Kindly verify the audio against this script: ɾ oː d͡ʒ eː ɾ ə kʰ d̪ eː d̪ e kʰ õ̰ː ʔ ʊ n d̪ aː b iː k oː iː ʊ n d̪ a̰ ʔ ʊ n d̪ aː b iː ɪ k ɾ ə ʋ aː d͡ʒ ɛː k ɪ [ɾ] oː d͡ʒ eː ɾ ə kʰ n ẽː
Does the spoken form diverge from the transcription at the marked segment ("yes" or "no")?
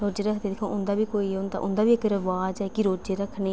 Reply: no